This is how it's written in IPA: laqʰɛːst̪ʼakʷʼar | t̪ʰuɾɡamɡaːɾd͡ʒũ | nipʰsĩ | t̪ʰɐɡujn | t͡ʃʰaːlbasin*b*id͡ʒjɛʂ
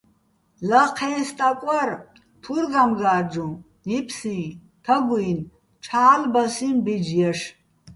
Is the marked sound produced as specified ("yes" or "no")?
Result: yes